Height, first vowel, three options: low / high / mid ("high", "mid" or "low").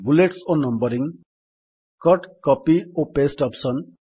high